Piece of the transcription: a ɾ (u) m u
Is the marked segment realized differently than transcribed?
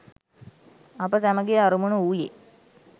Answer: no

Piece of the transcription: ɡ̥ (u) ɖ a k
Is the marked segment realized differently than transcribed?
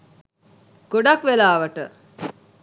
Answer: yes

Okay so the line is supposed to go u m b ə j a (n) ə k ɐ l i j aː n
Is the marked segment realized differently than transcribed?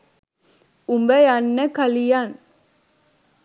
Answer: yes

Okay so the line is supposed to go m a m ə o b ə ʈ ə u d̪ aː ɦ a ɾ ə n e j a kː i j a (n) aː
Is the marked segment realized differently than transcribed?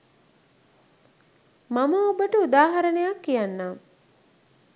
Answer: yes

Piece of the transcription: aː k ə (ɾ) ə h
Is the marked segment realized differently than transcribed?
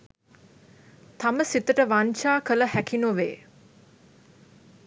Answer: yes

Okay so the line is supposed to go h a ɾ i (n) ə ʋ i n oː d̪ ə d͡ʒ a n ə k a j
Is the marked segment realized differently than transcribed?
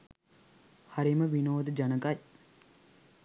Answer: yes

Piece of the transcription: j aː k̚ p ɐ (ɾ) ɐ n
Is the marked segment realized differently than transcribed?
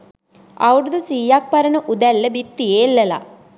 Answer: no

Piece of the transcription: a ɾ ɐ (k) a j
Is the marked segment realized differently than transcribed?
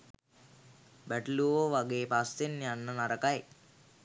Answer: no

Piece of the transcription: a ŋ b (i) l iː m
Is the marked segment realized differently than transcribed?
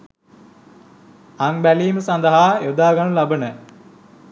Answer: yes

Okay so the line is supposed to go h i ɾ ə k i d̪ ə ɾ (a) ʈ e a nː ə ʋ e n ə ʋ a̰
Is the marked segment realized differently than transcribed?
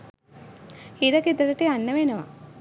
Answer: yes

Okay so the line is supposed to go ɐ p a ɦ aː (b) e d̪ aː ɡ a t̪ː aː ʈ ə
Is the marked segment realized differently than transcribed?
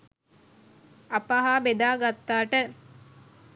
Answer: no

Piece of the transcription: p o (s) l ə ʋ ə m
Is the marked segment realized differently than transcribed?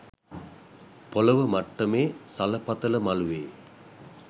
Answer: yes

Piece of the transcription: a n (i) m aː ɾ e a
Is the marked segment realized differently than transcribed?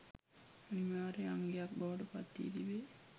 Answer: no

